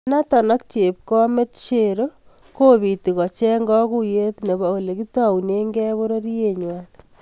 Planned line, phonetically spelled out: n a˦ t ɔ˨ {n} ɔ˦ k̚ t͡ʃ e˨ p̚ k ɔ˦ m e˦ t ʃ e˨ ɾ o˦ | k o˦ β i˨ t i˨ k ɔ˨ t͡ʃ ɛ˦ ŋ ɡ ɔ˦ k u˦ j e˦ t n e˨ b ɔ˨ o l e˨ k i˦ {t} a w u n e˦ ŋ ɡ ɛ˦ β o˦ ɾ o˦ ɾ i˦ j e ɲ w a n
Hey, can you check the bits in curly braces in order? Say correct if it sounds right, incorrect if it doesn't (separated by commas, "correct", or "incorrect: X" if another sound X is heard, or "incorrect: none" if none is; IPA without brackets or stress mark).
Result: correct, correct